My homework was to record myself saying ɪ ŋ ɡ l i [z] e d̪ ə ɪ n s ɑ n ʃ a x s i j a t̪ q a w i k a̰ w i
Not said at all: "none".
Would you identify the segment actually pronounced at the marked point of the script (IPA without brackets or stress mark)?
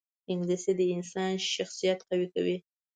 s